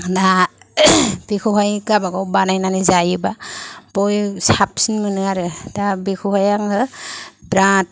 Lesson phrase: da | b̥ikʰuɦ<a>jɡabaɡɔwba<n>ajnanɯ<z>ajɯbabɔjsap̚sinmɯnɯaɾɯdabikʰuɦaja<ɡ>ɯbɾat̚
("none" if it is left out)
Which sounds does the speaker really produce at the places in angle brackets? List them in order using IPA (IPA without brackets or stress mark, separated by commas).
a, n, z, ŋ